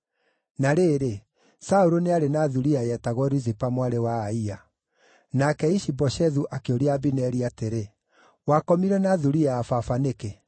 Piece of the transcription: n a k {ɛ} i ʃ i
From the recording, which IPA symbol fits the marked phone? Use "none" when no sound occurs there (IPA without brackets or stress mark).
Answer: ɛ